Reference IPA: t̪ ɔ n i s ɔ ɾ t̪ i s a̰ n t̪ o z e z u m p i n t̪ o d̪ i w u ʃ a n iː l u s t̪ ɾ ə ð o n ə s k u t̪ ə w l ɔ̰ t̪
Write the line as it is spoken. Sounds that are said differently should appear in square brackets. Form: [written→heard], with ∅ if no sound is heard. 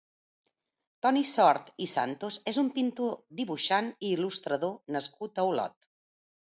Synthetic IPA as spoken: t̪ ɔ n i s ɔ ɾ t̪ i s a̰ n t̪ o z e z u m p i n t̪ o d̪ i [w→β] u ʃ a n iː l u s t̪ ɾ ə ð o n ə s k u t̪ ə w l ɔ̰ t̪